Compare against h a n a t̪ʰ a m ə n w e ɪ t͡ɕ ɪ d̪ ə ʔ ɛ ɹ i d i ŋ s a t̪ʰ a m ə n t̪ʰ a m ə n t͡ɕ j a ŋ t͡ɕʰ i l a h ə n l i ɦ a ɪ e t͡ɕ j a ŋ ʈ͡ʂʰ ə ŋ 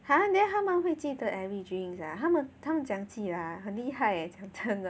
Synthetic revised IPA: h a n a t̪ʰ a m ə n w e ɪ t͡ɕ i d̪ ə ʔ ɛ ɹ i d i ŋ s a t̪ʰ a m ə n t̪ʰ a m ə n t͡ɕ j a ŋ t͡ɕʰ i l a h ə n l i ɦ a ɪ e t͡ɕ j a ŋ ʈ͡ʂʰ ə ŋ